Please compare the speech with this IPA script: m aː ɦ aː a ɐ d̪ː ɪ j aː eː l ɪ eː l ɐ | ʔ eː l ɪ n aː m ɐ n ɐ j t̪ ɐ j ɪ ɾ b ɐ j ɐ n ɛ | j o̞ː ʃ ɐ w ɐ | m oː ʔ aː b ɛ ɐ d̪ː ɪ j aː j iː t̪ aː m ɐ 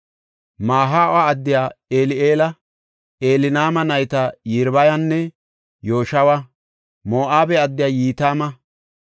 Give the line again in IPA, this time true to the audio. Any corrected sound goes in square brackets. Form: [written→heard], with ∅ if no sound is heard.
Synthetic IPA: m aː ɦ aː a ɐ d̪ː ɪ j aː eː l ɪ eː l ɐ | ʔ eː l ɪ n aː m ɐ n ɐ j t̪ ɐ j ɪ ɾ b ɐ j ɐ [n→nː] ɛ | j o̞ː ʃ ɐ w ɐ | m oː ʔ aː b ɛ ɐ d̪ː ɪ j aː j iː t̪ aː m ɐ

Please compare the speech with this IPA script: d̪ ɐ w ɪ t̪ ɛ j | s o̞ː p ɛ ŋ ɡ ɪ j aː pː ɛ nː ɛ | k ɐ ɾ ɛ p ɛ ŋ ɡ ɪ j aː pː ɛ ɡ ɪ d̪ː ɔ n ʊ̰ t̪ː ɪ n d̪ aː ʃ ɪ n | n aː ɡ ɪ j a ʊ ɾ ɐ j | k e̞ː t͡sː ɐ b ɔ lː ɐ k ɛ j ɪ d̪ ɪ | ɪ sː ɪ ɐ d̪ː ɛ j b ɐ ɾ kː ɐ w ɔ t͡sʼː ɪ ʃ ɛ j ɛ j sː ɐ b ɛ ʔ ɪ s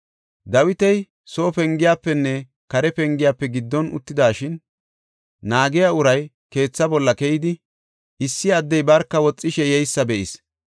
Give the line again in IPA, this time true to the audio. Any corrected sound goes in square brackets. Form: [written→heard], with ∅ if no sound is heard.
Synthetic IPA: d̪ ɐ w ɪ t̪ ɛ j | s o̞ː p ɛ ŋ ɡ ɪ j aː pː ɛ nː ɛ | k ɐ ɾ ɛ p ɛ ŋ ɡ ɪ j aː pː ɛ ɡ ɪ d̪ː ɔ n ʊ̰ t̪ː ɪ [n→∅] d̪ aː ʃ ɪ n | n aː ɡ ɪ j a ʊ ɾ ɐ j | k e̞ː t͡sː ɐ b ɔ lː ɐ k ɛ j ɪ d̪ ɪ | ɪ sː ɪ ɐ d̪ː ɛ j b ɐ ɾ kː ɐ w ɔ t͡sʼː ɪ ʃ ɛ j ɛ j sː ɐ b ɛ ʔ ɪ s

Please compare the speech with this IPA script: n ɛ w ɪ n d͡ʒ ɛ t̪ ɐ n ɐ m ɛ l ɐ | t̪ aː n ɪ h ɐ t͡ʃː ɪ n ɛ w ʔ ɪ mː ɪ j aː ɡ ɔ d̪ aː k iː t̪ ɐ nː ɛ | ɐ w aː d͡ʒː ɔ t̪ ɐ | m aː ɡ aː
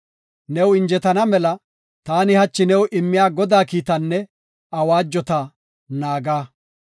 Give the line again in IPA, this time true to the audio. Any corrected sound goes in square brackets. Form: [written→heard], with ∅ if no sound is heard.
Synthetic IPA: n ɛ w ɪ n d͡ʒ ɛ t̪ ɐ n ɐ m ɛ l ɐ | t̪ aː n ɪ h ɐ t͡ʃː ɪ n ɛ w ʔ ɪ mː ɪ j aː ɡ ɔ d̪ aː k iː t̪ ɐ nː ɛ | ɐ w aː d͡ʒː ɔ t̪ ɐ | [m→n] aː ɡ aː

